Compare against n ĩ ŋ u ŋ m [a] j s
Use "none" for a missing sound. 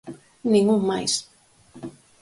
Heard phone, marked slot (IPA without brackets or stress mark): a